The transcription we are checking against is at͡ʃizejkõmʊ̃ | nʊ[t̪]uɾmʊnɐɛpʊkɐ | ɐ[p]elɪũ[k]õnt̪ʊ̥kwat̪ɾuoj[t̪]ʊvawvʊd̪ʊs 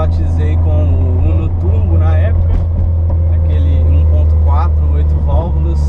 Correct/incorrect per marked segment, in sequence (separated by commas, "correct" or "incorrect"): correct, incorrect, incorrect, correct